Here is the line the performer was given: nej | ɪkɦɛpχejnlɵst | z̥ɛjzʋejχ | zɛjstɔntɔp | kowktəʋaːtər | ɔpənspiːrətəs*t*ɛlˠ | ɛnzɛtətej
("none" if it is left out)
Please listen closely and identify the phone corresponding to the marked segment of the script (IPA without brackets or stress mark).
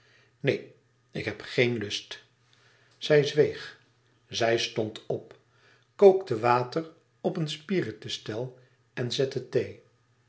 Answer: t